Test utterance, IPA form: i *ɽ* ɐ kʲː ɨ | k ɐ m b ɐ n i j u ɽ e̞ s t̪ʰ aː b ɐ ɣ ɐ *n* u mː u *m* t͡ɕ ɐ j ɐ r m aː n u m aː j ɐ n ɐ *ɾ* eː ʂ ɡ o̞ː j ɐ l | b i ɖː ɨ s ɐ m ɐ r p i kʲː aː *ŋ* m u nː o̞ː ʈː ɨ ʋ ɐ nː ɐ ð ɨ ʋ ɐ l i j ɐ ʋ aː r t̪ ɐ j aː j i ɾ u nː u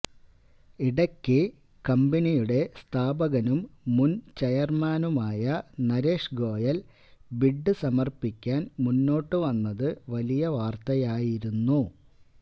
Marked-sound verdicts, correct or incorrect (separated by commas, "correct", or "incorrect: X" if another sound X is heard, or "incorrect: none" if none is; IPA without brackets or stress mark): correct, correct, incorrect: n, correct, incorrect: n